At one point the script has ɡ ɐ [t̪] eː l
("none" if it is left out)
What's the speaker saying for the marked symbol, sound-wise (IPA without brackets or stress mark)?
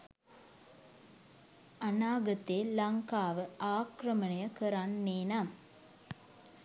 t̪